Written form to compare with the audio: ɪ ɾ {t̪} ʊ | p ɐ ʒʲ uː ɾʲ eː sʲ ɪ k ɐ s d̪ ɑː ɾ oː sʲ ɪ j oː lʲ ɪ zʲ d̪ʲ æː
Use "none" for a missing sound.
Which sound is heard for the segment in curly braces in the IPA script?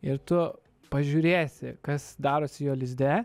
t̪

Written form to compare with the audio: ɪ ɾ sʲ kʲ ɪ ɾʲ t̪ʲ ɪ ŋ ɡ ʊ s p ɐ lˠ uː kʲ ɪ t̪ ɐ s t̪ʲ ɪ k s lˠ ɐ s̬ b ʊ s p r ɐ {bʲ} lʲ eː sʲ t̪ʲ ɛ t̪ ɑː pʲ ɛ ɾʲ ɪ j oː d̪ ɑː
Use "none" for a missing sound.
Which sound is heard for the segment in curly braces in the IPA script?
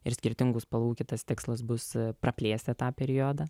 pʲ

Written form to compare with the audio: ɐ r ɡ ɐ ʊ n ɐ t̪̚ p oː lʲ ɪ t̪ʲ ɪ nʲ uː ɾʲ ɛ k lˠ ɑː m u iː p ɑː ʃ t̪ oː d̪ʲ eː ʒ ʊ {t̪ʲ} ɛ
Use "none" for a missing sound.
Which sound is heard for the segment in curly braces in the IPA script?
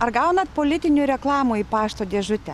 t̪ʲ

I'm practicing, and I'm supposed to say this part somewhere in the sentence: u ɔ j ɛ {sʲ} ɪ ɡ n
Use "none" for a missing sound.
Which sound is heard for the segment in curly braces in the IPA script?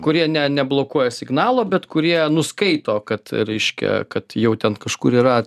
sʲ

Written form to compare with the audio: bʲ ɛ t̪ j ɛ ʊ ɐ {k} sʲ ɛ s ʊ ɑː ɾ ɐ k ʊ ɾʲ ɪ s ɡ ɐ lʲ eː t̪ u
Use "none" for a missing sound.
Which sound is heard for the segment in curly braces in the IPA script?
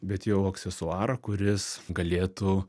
k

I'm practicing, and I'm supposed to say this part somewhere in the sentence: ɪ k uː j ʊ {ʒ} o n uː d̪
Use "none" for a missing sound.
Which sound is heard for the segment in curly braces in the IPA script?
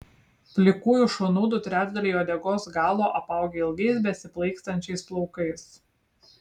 ʃ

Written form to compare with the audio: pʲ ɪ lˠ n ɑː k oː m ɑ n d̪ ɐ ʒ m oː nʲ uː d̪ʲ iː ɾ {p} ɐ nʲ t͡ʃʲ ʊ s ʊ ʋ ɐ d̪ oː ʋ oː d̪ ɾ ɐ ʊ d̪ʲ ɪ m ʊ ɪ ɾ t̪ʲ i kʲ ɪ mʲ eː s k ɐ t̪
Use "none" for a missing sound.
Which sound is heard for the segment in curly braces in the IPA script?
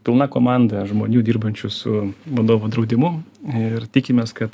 b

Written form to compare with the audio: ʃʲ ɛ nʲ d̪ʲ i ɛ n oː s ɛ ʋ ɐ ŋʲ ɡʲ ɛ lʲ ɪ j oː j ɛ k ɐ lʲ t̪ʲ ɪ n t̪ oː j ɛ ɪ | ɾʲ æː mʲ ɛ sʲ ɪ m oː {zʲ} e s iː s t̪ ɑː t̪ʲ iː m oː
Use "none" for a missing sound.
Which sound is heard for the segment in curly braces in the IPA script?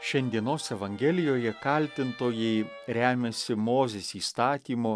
zʲ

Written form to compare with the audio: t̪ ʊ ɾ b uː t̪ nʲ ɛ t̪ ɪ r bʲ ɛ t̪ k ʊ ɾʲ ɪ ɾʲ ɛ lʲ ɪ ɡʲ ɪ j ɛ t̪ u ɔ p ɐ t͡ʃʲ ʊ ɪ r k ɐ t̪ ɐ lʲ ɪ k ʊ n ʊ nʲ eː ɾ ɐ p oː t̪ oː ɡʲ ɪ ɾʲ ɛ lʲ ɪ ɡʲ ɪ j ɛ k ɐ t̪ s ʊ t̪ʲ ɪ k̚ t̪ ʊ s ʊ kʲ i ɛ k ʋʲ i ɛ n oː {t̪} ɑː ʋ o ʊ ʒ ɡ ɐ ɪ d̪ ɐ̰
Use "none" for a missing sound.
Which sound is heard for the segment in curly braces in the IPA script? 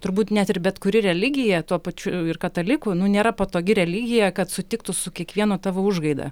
t̪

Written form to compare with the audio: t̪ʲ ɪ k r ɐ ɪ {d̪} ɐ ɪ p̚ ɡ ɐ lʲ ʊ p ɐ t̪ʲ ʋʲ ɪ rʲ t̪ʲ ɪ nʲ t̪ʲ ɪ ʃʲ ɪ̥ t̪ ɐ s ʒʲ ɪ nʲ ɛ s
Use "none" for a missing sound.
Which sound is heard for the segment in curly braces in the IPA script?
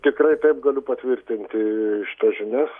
t̪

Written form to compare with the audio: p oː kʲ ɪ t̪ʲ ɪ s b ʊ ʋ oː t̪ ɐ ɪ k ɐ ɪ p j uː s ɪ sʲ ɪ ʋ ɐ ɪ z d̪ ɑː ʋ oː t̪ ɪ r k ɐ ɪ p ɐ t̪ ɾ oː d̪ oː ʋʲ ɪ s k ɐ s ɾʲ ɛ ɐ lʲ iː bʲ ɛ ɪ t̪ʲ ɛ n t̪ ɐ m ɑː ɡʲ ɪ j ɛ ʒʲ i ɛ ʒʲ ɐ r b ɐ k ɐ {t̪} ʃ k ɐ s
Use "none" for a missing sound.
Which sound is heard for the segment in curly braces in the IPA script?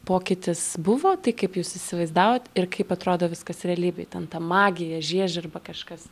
none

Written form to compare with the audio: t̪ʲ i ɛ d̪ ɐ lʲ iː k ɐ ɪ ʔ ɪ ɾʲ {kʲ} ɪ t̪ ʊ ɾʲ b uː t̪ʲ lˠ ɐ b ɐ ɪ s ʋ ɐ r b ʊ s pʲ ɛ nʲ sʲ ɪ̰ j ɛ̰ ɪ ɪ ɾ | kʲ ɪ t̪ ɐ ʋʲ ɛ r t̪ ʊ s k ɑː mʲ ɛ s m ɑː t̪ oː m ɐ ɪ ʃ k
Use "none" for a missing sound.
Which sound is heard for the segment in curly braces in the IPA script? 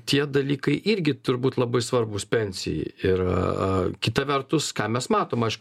ɡʲ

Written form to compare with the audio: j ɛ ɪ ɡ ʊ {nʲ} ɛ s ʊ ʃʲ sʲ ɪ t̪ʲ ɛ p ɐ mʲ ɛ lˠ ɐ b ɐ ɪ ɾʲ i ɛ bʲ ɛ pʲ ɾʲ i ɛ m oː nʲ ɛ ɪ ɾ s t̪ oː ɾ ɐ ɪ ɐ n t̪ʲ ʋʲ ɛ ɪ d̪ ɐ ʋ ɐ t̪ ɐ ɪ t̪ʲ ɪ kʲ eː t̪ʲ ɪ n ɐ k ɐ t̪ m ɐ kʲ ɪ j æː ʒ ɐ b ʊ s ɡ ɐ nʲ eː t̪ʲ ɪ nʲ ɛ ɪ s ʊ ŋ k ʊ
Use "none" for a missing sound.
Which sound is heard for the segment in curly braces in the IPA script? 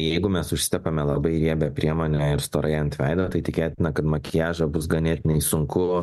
mʲ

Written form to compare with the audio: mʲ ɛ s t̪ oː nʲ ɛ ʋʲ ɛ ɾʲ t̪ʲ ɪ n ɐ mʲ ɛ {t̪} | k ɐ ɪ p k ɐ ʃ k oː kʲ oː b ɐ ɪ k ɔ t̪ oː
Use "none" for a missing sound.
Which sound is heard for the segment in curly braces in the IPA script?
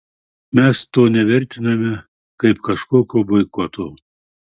none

